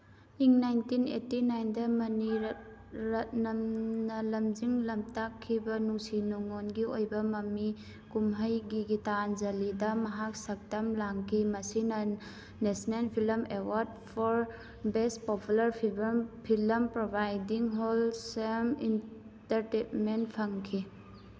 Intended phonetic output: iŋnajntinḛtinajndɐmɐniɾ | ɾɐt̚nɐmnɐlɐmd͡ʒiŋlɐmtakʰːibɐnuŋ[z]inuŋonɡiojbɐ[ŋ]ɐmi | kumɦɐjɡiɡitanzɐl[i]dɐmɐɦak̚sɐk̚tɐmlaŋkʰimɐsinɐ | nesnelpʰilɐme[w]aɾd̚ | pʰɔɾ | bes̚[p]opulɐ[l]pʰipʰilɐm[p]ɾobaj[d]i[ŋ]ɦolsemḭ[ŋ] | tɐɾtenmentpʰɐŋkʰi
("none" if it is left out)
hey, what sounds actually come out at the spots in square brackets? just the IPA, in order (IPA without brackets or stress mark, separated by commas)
s, m, i, w, p, ɾ, p, d, ŋ, n